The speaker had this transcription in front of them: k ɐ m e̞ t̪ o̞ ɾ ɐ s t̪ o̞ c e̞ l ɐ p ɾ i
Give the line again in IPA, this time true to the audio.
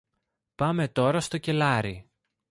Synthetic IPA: p ɐ m e̞ t̪ o̞ ɾ ɐ s t̪ o̞ c e̞ l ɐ ɾ i